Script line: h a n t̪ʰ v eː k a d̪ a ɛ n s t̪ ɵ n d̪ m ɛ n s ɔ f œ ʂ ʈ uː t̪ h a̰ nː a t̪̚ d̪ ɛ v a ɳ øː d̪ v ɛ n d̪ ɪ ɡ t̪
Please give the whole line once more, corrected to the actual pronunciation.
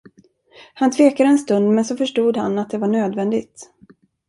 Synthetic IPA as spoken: h a n t̪ʰ v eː k a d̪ ə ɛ n s t̪ ɵ n d̪ m ɛ n s ɔ f œ ʂ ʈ uː d̪ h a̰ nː a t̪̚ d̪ ɛ v a ɳ øː d̪ v ɛ n d̪ ɪ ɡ t̪